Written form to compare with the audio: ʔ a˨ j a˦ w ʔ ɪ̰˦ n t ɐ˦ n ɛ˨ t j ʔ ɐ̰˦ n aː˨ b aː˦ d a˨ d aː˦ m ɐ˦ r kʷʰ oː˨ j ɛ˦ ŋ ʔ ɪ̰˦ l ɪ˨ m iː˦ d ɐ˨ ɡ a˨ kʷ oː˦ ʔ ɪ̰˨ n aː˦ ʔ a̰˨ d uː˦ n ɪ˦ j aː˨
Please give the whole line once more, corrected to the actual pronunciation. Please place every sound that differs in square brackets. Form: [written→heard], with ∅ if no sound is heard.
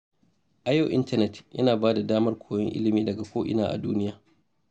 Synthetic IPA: ʔ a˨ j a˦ w ʔ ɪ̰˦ n t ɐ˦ n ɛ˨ t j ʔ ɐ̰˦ n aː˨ b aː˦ d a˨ d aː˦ m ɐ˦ r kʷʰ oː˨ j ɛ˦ ŋ ʔ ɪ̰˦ l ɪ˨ m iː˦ d ɐ˨ ɡ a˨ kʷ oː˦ ʔ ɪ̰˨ n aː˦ ʔ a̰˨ d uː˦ n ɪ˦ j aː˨